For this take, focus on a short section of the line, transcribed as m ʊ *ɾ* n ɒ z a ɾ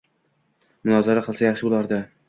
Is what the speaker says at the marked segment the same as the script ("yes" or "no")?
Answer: no